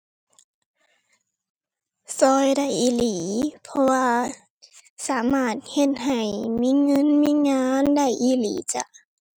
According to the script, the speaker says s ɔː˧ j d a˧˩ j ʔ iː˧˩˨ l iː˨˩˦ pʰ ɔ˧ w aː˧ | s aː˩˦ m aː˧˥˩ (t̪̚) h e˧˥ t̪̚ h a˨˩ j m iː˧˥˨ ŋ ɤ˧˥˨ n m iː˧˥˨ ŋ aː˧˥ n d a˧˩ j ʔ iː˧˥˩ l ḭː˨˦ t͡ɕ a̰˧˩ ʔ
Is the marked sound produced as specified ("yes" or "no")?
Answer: yes